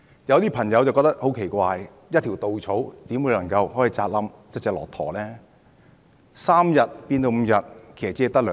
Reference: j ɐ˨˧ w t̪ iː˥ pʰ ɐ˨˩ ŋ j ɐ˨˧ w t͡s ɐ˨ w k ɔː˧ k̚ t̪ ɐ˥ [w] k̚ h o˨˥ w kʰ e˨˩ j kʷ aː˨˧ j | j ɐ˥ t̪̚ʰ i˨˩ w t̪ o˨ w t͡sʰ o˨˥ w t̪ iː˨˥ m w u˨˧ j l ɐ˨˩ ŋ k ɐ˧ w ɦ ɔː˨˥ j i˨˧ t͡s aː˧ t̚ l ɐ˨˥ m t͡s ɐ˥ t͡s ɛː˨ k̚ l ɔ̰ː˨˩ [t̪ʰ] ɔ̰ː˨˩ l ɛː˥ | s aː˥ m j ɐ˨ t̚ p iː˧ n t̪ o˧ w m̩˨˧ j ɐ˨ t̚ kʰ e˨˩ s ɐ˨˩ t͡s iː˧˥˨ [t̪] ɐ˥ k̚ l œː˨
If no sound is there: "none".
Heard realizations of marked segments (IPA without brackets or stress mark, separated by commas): none, t̪ʰ, t̪